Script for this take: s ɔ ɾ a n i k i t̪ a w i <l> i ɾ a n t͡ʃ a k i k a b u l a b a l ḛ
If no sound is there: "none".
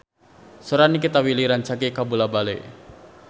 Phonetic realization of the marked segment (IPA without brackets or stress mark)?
l